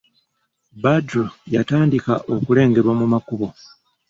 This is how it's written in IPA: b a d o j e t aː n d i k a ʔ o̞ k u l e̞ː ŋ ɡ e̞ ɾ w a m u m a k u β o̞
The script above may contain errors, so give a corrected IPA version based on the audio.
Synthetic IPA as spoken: b a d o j a t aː n d i k a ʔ o̞ k u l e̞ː ŋ ɡ e̞ ɾ w a m u m a k u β o̞